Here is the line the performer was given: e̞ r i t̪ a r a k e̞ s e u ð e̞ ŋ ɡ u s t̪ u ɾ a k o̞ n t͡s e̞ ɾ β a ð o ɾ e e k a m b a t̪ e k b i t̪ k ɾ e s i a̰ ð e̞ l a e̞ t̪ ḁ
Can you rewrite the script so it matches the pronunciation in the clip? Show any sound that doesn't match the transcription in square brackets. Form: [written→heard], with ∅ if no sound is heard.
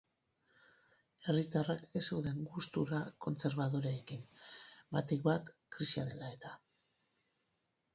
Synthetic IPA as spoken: e̞ r i t̪ a r a k e̞ s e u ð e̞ ŋ ɡ u s t̪ u ɾ a k o̞ n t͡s e̞ ɾ β a ð o ɾ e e k [a→i] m b a t̪ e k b [i→a] t̪ k ɾ [e→i] s i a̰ ð e̞ l a e̞ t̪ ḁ